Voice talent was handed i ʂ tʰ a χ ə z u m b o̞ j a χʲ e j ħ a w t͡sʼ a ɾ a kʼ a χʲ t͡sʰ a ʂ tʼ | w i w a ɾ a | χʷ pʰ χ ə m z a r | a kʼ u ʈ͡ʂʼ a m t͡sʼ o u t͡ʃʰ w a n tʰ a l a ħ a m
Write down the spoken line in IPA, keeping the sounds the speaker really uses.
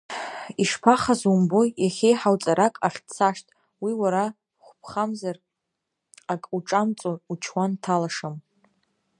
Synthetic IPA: i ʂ pʰ a χ a z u m b o̞ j a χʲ e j ħ a w t͡sʼ a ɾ a kʼ a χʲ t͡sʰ a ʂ tʼ | w i w a ɾ a | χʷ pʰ χ a m z a r | a kʼ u ʈ͡ʂʼ a m t͡sʼ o u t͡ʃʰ w a n tʰ a l a ʂ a m